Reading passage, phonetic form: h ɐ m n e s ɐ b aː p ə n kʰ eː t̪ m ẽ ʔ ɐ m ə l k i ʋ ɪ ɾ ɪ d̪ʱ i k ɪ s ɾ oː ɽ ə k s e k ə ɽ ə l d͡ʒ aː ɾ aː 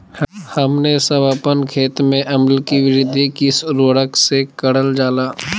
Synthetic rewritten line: h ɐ m n e s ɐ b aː p ə n kʰ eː t̪ m ẽ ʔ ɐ m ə l k i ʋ ɪ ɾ ɪ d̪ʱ i k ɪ s ɾ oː ɽ ə k s e k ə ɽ ə l d͡ʒ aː l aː